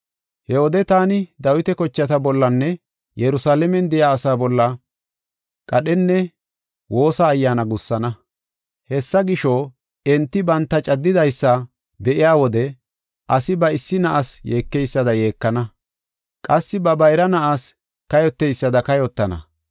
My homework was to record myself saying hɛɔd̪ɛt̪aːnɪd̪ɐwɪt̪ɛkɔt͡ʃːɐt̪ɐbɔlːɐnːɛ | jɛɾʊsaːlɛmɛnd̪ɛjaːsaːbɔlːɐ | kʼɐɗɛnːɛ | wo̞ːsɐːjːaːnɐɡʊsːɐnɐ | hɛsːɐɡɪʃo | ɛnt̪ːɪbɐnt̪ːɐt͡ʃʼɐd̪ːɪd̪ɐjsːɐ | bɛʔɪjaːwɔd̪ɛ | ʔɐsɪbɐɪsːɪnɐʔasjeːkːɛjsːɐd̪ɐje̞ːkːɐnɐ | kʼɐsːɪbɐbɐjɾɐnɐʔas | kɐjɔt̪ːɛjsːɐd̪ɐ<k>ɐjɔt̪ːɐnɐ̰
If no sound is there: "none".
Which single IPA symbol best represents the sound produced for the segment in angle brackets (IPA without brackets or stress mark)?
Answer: k